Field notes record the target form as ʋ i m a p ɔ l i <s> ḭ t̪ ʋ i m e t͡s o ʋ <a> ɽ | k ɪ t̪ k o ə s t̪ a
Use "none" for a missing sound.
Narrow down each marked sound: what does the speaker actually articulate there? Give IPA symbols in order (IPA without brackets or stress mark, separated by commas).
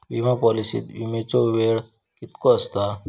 s, e